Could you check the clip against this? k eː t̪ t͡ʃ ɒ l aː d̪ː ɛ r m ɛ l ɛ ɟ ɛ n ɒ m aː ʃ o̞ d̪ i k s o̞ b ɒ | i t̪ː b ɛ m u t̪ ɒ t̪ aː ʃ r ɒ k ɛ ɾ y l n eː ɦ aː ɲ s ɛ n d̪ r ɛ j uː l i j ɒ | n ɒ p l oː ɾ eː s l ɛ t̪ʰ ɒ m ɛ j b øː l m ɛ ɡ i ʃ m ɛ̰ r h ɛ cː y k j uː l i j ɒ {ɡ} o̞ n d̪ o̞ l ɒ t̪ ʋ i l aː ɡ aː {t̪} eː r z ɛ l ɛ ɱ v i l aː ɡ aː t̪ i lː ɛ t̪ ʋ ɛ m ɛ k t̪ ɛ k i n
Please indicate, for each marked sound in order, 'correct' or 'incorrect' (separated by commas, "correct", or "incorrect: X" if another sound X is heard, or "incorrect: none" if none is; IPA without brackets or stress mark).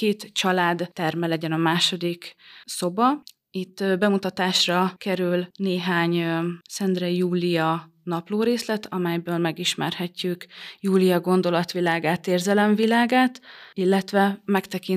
correct, correct